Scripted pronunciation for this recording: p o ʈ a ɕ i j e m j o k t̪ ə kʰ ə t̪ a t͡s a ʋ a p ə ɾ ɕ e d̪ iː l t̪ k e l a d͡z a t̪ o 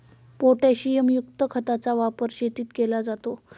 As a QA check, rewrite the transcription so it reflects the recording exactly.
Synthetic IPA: p o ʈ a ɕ i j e m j u k t̪ ə kʰ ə t̪ a t͡s a ʋ a p ə ɾ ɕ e t̪ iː t̪ k e l a d͡z a t̪ o